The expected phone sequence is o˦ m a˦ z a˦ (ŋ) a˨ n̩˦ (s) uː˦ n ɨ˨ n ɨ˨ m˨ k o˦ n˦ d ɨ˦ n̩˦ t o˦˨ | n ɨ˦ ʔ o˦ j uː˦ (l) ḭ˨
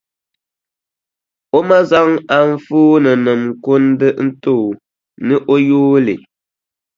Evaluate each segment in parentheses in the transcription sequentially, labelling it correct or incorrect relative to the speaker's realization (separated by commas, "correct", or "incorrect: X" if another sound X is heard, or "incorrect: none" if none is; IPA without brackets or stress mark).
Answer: correct, incorrect: f, correct